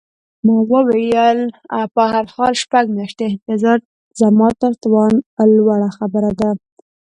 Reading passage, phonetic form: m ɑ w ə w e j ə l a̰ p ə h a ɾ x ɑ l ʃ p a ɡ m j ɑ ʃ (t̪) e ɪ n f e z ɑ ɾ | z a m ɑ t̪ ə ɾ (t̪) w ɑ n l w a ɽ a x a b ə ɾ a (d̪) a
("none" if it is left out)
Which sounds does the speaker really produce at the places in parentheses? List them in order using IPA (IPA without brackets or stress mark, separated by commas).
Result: t̪, t̪, d̪